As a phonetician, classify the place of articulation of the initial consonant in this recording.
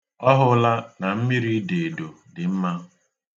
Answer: glottal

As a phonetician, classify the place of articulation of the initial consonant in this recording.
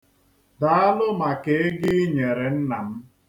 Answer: alveolar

